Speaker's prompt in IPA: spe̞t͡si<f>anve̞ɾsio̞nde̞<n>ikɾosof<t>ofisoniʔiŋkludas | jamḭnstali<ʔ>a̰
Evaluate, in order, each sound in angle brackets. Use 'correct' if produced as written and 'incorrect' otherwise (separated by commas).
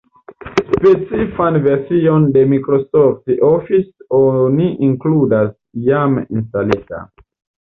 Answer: correct, incorrect, correct, incorrect